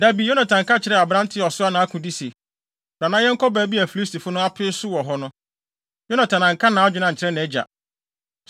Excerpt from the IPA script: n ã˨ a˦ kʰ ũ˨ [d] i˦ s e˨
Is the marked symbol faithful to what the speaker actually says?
yes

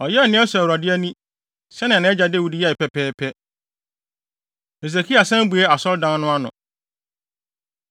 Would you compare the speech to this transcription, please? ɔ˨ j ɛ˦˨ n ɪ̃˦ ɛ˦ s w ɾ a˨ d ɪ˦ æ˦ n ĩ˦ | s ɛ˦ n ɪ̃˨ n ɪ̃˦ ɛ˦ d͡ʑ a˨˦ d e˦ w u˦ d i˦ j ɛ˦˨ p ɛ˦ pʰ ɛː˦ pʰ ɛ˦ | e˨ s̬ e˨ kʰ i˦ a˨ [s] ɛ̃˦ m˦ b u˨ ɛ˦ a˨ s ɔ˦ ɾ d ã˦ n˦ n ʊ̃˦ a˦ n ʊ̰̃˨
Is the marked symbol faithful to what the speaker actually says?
yes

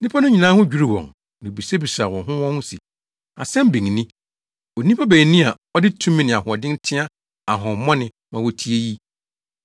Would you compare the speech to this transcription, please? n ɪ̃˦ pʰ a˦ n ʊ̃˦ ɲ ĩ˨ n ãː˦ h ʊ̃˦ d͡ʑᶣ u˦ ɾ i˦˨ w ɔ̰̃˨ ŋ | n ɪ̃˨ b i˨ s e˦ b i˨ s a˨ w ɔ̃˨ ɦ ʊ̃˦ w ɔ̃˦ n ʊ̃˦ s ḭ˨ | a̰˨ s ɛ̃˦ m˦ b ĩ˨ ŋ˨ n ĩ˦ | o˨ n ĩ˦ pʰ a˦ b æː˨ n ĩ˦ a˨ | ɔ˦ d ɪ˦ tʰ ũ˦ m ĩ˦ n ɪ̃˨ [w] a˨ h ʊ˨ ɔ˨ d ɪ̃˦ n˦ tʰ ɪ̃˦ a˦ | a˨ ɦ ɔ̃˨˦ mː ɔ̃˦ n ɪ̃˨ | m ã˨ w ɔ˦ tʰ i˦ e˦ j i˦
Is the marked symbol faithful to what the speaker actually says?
no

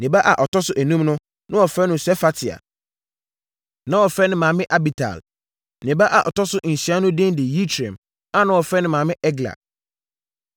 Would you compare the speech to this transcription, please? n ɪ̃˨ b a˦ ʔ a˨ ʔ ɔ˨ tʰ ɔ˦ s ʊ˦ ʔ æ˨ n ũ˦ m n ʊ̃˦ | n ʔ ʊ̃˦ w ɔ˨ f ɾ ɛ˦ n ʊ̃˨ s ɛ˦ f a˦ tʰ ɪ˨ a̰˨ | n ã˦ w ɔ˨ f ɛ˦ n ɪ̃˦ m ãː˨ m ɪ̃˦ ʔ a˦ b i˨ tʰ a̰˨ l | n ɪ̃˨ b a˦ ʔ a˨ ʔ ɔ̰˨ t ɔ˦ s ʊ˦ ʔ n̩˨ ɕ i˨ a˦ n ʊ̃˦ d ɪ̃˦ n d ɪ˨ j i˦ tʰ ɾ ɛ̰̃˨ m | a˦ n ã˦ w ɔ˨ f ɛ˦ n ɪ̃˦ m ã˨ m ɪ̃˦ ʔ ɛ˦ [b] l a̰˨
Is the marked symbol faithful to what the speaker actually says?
no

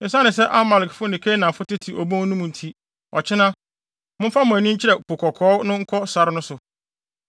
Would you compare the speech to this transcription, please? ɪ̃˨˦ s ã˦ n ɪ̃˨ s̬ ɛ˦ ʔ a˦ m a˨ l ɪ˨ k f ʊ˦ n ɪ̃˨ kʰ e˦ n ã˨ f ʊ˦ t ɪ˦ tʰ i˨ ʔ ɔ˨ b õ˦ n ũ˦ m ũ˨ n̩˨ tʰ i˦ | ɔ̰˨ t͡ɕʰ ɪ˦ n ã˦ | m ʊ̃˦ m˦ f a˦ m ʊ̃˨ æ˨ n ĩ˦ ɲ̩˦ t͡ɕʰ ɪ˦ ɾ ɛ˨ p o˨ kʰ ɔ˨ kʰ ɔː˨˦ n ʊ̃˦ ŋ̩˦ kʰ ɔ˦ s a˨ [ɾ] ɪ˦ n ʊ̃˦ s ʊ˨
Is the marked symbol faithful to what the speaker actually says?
yes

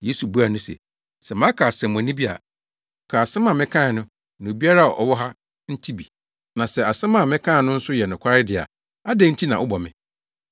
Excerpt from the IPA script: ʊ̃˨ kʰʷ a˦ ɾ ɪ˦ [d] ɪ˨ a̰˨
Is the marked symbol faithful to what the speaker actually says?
yes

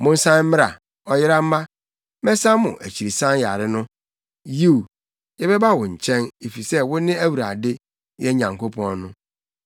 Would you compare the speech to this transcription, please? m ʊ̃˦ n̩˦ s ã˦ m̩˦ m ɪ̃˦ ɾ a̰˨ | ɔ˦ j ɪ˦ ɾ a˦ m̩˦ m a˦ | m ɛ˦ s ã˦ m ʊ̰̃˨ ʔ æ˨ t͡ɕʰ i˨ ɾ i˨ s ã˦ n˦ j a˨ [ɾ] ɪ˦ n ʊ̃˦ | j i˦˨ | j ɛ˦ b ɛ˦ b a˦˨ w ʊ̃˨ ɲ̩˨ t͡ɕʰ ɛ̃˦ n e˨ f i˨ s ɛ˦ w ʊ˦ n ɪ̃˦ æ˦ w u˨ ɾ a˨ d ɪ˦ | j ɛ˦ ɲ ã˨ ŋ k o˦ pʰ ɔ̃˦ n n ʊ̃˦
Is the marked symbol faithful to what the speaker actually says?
yes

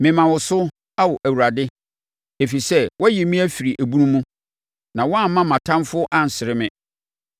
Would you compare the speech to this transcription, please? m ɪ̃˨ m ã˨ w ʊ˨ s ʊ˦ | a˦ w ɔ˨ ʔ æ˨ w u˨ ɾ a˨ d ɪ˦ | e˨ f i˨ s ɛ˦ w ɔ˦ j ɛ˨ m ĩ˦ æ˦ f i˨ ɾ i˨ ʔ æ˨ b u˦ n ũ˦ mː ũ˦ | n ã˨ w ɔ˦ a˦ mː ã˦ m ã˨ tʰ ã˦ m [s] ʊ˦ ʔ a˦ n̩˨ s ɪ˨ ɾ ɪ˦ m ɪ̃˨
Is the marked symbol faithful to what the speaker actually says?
no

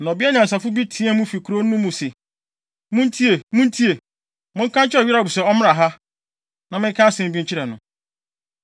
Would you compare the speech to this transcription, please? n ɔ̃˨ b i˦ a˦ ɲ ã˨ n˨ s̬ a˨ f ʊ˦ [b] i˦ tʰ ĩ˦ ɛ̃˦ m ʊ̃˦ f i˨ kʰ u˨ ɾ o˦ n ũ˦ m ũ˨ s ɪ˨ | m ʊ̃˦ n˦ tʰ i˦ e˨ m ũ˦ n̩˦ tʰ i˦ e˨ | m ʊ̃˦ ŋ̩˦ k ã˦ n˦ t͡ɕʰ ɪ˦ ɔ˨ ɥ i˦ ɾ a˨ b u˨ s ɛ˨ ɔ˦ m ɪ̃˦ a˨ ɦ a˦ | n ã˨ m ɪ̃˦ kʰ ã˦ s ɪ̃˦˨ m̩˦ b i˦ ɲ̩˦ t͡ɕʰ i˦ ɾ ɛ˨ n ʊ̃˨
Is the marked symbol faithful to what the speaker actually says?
yes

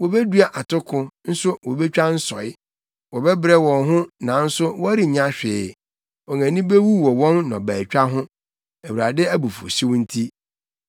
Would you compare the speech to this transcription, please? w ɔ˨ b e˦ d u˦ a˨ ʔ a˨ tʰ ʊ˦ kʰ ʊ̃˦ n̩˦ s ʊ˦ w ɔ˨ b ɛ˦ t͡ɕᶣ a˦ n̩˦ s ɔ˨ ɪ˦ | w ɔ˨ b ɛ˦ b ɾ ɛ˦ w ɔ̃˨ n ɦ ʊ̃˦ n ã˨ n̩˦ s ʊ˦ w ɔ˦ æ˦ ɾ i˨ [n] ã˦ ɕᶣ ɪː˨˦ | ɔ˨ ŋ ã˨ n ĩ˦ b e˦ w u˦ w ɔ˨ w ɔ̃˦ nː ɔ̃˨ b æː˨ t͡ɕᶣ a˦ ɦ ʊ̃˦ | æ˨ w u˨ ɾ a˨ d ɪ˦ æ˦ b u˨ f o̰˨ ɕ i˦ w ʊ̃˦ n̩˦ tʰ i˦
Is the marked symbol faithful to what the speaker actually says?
no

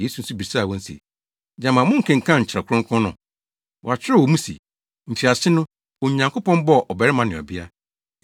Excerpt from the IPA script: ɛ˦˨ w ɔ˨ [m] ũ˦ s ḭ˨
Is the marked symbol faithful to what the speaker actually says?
yes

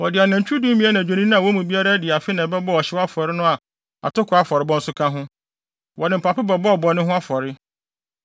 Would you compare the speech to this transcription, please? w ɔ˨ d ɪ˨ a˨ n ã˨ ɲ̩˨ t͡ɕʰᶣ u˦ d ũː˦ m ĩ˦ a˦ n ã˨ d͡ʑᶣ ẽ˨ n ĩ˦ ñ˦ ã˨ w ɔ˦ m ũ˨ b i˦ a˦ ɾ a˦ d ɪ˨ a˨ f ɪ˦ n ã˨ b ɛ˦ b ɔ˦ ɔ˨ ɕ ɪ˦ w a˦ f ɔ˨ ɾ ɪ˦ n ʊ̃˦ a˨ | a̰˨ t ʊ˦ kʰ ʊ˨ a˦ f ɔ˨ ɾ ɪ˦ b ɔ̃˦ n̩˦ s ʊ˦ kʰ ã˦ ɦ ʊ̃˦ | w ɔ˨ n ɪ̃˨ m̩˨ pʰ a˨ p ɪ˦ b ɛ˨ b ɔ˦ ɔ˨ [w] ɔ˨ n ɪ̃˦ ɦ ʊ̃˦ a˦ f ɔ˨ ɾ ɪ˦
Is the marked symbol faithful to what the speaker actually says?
no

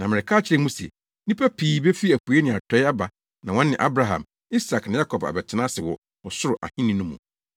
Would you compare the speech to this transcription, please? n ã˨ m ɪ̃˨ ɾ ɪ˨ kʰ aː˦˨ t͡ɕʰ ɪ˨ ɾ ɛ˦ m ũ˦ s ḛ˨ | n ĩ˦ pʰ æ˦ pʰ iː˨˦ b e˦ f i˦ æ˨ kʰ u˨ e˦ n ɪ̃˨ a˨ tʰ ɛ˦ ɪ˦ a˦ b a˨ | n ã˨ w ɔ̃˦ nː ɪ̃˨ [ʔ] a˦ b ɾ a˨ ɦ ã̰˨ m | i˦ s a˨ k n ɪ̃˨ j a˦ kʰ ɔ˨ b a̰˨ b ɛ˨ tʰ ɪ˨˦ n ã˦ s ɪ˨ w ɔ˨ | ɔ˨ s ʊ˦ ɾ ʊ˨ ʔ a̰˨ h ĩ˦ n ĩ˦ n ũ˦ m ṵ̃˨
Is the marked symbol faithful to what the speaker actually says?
yes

